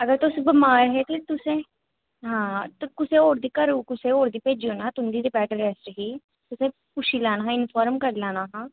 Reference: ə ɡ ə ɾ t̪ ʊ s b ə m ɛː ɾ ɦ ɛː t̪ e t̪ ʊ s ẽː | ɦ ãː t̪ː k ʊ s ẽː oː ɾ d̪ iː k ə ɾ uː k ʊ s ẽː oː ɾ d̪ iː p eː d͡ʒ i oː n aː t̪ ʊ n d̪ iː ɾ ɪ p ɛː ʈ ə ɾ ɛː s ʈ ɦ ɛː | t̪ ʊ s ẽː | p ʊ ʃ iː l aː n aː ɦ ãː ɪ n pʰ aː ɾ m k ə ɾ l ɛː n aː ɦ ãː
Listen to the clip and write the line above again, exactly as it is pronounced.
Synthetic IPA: ə ɡ ə ɾ t̪ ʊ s b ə m aː ɾ ɦ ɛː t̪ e t̪ ʊ s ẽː | ɦ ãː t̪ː k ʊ s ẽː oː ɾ d̪ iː k ə ɾ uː k ʊ s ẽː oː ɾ d̪ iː p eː d͡ʒ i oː n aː t̪ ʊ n d̪ iː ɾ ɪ p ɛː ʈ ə ɾ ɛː s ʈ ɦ iː | t̪ ʊ s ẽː | p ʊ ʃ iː l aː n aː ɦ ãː ɪ n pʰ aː ɾ m k ə ɾ l aː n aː ɦ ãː